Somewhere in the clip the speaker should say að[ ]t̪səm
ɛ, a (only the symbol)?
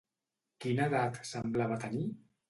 a